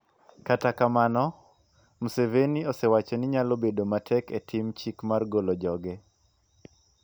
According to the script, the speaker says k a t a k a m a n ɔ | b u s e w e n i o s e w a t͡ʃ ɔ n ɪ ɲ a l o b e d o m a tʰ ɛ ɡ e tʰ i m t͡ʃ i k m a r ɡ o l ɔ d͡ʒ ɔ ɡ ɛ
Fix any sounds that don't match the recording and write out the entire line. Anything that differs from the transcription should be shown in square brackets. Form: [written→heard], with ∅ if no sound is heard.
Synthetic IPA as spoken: k a t a k a m a n ɔ | [b→m] u s e [w→v] e n i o s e w a t͡ʃ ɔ n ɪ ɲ a l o b e d o m a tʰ ɛ [ɡ→k] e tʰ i m t͡ʃ i k m a r ɡ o l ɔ d͡ʒ ɔ ɡ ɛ